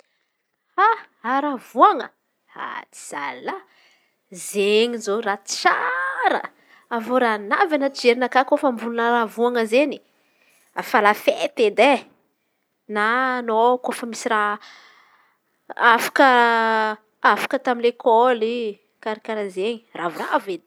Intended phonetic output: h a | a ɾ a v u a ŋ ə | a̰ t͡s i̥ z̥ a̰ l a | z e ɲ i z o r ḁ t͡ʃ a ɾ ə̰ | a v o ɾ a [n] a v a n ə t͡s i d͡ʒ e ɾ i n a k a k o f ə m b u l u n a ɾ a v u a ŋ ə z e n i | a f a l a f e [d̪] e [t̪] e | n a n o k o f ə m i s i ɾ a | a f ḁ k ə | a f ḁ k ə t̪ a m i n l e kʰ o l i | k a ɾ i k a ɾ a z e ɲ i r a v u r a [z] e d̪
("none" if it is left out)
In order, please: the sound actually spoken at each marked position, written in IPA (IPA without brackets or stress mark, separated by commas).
n, t̪, d̪, v